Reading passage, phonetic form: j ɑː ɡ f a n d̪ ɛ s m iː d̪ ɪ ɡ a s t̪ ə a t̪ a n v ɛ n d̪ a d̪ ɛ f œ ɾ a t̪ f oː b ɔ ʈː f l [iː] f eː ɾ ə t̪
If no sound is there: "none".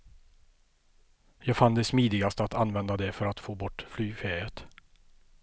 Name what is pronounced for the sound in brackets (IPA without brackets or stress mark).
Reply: yː